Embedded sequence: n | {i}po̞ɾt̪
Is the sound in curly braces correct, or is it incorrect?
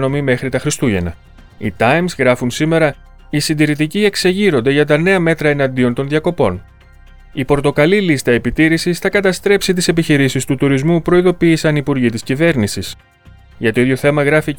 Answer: correct